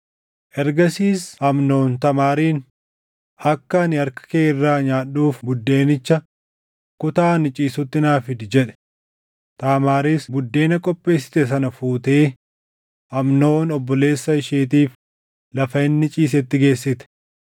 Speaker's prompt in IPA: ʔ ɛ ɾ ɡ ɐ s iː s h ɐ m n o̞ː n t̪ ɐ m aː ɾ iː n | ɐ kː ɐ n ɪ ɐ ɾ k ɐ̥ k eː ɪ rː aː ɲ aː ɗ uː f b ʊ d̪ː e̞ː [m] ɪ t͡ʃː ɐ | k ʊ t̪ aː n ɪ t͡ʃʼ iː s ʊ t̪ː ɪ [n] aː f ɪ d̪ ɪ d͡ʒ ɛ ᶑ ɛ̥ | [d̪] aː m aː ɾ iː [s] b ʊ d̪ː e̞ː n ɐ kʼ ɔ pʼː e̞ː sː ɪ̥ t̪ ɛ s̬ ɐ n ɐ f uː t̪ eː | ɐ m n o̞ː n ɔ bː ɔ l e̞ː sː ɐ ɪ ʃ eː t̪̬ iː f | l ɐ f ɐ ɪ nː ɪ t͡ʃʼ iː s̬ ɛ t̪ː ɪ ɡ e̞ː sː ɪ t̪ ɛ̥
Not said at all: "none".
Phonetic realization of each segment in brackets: n, n, t̪, s

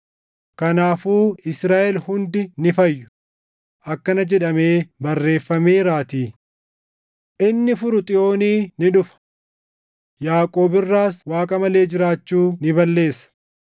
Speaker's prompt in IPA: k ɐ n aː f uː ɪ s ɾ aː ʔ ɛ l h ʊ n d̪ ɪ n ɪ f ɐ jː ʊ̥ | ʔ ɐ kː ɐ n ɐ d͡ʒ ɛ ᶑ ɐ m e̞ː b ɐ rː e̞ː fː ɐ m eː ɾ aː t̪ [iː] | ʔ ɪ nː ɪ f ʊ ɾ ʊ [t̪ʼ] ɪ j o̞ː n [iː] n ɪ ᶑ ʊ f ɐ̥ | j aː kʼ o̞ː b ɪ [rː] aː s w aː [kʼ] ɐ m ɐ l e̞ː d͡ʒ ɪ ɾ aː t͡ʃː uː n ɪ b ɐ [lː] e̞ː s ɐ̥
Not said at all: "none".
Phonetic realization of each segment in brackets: iː, t̪ʼ, iː, rː, kʼ, lː

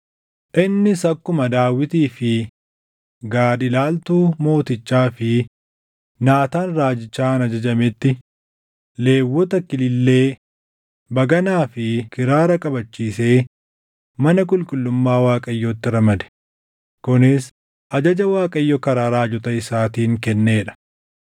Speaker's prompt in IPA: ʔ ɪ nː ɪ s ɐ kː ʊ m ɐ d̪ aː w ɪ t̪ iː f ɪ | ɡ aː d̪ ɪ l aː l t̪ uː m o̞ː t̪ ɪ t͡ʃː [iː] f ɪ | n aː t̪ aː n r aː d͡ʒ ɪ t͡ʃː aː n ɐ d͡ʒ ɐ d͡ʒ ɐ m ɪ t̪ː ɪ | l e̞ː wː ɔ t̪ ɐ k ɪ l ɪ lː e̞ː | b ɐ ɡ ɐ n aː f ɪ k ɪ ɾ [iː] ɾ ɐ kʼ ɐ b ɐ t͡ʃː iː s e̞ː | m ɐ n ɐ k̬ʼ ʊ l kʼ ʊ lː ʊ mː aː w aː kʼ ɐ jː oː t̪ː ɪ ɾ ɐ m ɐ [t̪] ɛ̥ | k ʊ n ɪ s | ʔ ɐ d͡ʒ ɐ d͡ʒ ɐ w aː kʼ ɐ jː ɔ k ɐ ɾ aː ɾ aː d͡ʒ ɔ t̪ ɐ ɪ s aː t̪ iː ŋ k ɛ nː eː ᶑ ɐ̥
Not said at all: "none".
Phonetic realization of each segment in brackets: aː, aː, d̪

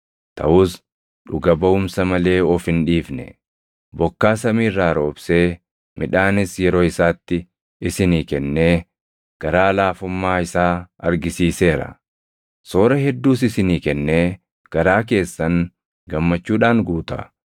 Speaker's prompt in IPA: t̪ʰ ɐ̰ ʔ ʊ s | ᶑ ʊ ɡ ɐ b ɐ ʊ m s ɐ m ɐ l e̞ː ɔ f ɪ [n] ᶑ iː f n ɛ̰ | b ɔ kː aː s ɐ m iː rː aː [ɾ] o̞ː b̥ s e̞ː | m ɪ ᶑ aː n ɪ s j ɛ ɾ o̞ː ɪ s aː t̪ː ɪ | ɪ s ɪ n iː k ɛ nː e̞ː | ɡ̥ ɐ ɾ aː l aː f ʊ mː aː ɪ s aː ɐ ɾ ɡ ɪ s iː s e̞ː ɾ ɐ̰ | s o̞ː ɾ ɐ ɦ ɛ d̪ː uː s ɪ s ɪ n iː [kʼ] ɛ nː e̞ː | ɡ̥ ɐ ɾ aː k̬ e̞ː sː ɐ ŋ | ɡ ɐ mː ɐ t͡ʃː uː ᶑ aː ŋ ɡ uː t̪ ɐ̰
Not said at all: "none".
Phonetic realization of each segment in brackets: n, ɾ, k

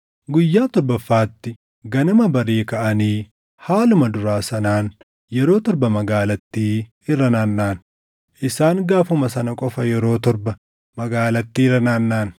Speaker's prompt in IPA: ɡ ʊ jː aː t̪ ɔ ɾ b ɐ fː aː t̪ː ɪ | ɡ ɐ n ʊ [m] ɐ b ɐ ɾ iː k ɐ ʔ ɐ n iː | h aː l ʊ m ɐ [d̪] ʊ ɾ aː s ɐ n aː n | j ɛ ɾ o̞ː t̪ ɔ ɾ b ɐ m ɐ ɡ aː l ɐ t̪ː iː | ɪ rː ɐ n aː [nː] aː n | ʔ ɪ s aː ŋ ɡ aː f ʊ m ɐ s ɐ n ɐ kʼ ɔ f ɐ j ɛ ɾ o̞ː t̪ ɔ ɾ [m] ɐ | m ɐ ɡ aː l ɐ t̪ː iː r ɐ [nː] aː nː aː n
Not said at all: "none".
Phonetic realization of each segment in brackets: m, d̪, nː, b, n

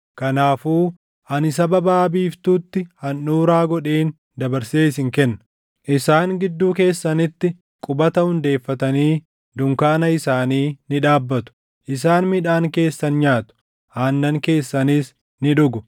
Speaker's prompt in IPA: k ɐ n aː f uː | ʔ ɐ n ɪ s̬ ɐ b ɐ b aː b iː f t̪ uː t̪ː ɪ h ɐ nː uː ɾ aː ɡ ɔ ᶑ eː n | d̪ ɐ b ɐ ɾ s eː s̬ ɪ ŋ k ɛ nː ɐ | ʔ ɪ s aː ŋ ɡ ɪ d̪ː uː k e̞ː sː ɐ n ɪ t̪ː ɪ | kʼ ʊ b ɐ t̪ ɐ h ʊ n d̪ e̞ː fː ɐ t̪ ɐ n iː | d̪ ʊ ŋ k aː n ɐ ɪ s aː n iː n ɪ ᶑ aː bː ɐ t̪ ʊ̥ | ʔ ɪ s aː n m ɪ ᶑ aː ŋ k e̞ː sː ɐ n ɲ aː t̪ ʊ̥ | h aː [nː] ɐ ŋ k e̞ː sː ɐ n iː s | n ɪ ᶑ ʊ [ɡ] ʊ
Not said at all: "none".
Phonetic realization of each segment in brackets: nː, ɡ

